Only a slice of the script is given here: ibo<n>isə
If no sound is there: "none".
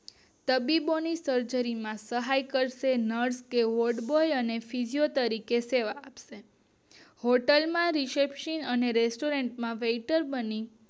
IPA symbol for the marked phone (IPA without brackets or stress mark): n